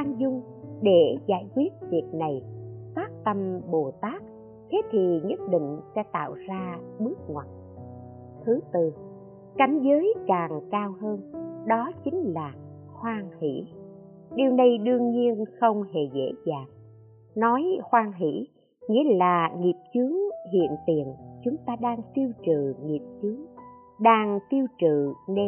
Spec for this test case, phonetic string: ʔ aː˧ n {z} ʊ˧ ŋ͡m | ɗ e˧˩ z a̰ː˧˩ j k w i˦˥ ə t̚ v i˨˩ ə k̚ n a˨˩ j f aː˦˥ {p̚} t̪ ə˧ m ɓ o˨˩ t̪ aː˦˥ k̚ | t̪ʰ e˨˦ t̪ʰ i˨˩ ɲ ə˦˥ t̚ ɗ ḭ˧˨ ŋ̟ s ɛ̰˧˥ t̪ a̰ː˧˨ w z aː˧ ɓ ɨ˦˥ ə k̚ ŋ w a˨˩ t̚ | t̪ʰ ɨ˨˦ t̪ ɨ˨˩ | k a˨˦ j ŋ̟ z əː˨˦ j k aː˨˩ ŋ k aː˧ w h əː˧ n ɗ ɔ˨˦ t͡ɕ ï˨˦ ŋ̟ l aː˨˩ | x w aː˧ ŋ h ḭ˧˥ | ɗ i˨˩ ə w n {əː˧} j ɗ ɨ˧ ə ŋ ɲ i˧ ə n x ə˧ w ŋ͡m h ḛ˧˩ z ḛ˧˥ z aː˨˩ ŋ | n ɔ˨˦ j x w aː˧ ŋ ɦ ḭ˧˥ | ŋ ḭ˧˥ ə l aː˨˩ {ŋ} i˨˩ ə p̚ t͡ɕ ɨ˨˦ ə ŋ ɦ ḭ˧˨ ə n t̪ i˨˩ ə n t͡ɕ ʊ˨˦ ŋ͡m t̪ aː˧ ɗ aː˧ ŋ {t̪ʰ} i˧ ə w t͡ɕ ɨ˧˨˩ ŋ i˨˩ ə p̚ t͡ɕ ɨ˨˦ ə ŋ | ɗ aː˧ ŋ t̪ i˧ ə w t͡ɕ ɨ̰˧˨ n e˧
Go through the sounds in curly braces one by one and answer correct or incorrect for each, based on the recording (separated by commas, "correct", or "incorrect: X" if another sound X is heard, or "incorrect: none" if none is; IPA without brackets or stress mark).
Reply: correct, incorrect: k̚, incorrect: ə˧, correct, incorrect: t̪